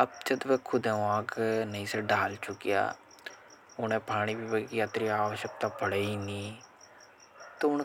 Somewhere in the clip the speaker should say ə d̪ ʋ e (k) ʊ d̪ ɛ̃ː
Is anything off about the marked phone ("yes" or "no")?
yes